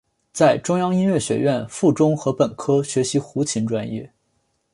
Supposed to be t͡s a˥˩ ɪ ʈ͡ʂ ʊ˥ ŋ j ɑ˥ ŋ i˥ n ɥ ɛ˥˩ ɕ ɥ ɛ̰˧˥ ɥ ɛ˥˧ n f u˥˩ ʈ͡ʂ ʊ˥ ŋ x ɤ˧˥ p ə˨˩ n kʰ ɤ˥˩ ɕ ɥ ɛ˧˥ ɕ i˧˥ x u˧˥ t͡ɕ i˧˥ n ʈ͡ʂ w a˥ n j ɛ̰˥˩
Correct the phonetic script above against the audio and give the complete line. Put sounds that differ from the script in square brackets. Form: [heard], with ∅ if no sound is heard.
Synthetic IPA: t͡s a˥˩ ɪ ʈ͡ʂ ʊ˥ ŋ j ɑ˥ ŋ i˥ n ɥ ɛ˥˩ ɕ ɥ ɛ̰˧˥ ɥ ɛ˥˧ n f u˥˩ ʈ͡ʂ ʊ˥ ŋ x ɤ˧˥ p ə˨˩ n kʰ [ɤ˥] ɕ ɥ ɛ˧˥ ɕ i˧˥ x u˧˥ [t͡ɕʰ] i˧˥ n ʈ͡ʂ w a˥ n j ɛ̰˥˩